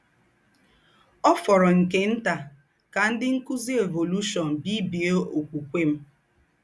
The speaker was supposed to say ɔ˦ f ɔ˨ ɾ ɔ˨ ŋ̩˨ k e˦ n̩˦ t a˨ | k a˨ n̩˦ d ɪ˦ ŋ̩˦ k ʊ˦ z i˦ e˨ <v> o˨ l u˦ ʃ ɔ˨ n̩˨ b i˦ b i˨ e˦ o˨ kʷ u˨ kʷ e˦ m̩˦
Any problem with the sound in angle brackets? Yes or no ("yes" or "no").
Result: no